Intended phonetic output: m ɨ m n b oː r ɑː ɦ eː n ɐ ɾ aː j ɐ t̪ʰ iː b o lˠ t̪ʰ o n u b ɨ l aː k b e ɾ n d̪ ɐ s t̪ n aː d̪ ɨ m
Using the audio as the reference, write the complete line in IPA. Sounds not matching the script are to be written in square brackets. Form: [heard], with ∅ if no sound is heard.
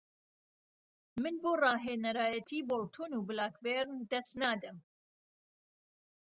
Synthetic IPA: m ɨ [∅] n b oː r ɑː ɦ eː n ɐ ɾ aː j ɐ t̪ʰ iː b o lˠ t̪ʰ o n u b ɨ l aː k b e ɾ n d̪ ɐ s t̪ n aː d̪ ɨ m